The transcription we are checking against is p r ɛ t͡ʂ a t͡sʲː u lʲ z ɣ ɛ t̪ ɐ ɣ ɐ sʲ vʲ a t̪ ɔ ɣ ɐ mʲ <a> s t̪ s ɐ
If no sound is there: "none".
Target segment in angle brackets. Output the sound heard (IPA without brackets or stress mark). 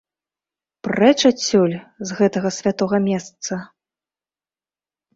ɛ